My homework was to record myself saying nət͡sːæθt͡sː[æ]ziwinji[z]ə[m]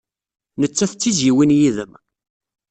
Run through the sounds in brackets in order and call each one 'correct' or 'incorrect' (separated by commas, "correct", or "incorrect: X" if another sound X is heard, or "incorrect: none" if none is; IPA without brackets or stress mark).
incorrect: i, incorrect: ð, correct